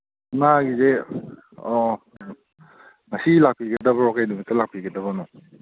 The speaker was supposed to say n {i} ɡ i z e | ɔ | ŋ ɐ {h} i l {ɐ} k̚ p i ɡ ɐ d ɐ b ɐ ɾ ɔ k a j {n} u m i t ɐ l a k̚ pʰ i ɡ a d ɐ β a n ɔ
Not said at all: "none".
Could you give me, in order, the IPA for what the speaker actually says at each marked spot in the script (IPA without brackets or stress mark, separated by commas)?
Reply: a, s, a, d